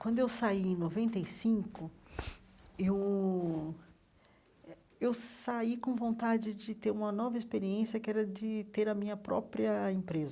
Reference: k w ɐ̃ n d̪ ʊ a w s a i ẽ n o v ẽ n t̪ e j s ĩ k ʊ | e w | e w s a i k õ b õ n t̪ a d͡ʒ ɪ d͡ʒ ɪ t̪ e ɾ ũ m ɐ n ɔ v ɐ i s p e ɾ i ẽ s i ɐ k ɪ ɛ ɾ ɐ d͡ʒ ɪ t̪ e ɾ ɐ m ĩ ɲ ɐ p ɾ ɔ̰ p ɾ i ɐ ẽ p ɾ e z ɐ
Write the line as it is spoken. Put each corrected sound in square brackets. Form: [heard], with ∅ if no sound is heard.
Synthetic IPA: k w ɐ̃ n d̪ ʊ [e] w s a i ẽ n o v ẽ n t̪ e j s ĩ k ʊ | e w | e w s a i k õ [v] õ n t̪ a d͡ʒ ɪ d͡ʒ ɪ t̪ e ɾ ũ m ɐ n ɔ v ɐ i s p e ɾ i ẽ s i ɐ k ɪ ɛ ɾ ɐ d͡ʒ ɪ t̪ e ɾ ɐ m ĩ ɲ ɐ p ɾ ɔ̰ p ɾ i ɐ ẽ p ɾ e z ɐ